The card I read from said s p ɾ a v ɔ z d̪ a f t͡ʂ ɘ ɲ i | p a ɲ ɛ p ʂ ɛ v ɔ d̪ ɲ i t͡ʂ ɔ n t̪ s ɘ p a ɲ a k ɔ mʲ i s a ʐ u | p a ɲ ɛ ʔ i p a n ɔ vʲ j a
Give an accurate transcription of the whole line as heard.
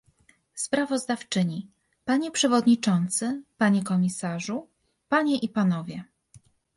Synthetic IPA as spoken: s p ɾ a v ɔ z d̪ a f t͡ʂ ɘ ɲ i | p a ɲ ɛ p ʂ ɛ v ɔ d̪ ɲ i t͡ʂ ɔ n t̪ s ɘ p a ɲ ɛ k ɔ mʲ i s a ʐ u | p a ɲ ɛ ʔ i p a n ɔ vʲ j ɛ